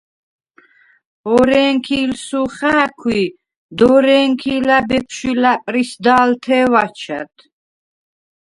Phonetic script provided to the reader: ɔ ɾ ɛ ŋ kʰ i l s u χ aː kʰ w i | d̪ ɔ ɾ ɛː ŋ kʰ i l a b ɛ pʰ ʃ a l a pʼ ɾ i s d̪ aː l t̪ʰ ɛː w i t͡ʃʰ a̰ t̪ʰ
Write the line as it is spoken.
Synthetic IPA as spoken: ɔ ɾ ɛ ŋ kʰ i l s u χ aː kʰ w i | d̪ ɔ ɾ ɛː ŋ kʰ i l a b ɛ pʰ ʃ i l a pʼ ɾ i s d̪ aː l t̪ʰ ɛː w a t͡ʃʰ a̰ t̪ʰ